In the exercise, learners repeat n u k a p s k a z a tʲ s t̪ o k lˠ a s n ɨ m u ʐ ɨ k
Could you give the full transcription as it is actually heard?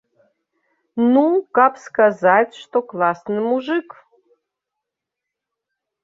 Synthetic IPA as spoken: n u k a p s k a z a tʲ ʂ t̪ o k lˠ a s n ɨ m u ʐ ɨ k